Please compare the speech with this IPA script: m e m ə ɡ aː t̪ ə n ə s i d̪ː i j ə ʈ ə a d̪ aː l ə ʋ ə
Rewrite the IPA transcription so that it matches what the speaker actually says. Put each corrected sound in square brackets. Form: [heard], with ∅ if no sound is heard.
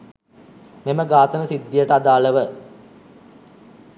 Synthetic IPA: m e m ə ɡ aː t̪ ə n ə s i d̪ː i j ə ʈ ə a d̪ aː l ə ʋ ə